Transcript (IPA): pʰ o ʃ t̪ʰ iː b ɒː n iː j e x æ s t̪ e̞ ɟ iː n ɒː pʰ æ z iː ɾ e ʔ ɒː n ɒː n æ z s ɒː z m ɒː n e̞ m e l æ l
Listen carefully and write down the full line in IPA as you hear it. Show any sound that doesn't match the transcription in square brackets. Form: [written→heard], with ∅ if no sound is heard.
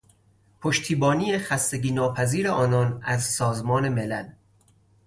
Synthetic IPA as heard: pʰ o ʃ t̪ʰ iː b ɒː n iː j e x æ s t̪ e̞ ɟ iː n ɒː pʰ æ z iː ɾ e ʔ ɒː n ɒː n æ z s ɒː z m ɒː n e̞ m e l æ l

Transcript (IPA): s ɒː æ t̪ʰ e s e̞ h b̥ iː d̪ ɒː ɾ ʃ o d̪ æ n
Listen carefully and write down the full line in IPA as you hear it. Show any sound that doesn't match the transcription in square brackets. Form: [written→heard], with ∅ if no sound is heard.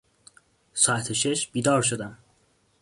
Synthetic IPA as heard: s ɒː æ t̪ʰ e [s→ʃ] e̞ [h→ʃ] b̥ iː d̪ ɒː ɾ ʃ o d̪ æ [n→m]

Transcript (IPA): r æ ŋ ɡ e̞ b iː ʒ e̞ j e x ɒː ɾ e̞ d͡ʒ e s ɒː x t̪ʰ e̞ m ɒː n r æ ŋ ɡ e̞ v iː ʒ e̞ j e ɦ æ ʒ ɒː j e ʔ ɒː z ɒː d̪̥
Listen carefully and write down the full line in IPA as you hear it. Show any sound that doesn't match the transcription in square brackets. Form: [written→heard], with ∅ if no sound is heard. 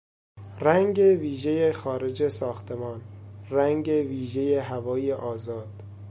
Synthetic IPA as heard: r æ ŋ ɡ e̞ [b→v] iː ʒ e̞ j e x ɒː ɾ e̞ d͡ʒ e s ɒː x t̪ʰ e̞ m ɒː n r æ ŋ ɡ e̞ v iː ʒ e̞ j e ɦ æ [ʒ→v] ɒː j e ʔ ɒː z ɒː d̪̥

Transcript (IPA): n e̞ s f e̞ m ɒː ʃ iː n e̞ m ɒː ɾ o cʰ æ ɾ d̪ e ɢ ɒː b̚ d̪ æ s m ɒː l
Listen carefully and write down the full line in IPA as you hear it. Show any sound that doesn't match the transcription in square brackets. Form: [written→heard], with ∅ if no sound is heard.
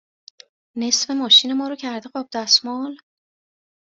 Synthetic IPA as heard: n e̞ s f e̞ m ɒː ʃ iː n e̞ m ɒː ɾ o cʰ æ ɾ d̪ e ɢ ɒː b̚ d̪ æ s m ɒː l

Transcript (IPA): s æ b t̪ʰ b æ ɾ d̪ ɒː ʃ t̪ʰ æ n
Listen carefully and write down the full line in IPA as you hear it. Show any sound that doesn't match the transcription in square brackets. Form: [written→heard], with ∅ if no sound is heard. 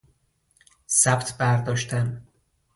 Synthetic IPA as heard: s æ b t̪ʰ b æ ɾ d̪ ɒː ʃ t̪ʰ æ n

